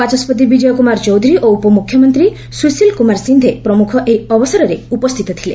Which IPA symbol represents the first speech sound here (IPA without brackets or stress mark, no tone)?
a